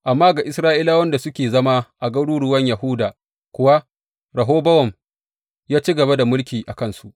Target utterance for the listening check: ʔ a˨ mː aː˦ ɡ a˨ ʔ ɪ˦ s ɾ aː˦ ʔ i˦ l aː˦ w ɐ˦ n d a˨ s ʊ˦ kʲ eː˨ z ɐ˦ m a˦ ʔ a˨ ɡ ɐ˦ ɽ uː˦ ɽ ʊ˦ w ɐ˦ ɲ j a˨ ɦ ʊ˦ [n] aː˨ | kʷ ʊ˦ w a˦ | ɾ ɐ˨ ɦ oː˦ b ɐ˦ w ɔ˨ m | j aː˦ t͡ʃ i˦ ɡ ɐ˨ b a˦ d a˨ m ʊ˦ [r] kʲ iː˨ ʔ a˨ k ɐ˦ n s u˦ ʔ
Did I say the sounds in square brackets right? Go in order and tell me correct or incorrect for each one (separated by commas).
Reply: incorrect, incorrect